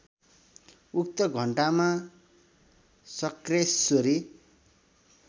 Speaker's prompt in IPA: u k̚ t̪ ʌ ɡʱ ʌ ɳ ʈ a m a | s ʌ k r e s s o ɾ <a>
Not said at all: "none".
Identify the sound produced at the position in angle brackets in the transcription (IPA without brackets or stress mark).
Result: i